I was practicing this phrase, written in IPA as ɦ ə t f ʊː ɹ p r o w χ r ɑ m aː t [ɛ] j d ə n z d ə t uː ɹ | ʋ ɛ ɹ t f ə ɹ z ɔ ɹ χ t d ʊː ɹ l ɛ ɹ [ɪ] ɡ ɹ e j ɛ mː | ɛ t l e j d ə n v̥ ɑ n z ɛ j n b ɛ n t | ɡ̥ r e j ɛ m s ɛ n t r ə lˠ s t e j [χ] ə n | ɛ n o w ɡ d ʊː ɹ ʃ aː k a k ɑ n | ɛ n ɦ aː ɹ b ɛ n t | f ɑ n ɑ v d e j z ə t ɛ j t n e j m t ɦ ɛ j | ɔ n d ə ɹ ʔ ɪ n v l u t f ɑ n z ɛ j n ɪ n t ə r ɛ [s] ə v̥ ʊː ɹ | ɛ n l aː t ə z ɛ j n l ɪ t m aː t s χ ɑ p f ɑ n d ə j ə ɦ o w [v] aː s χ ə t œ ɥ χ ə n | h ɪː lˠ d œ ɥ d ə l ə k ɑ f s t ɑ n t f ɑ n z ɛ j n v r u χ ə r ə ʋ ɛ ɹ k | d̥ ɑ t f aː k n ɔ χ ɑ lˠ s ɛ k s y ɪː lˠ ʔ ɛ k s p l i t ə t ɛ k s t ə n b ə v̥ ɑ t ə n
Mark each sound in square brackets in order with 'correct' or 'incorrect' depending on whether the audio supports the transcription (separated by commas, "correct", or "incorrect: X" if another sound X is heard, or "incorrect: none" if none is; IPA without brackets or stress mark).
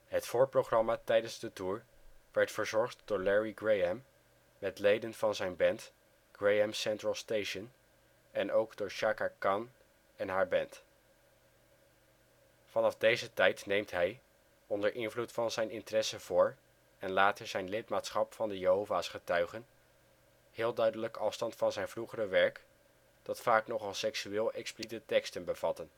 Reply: correct, incorrect: i, incorrect: ʃ, correct, correct